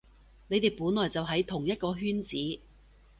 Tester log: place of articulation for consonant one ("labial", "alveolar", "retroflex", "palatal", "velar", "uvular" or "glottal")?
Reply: alveolar